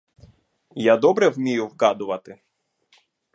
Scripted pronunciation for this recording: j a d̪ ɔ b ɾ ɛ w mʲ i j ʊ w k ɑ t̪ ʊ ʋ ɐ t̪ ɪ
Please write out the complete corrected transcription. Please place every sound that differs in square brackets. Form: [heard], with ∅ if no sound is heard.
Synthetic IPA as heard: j a d̪ ɔ b ɾ ɛ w mʲ i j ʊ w k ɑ [d̪] ʊ ʋ ɐ t̪ ɪ